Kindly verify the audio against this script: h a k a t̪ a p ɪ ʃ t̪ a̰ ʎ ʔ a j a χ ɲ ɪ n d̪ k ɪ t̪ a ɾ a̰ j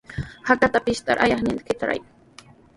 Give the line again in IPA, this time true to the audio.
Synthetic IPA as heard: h a k a t̪ a p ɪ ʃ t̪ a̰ ɾ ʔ a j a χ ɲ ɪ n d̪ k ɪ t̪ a ɾ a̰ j